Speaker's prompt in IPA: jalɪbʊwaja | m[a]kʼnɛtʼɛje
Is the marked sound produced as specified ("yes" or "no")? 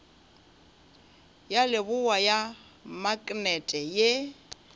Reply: yes